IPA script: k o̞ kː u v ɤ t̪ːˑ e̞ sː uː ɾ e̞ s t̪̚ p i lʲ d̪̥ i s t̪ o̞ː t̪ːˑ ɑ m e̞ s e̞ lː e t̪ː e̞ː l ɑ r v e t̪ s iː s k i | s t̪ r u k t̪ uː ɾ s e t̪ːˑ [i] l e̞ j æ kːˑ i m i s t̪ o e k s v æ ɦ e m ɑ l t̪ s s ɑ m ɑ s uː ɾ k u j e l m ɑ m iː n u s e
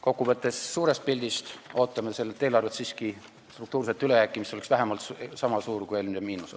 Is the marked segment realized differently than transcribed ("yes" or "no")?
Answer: yes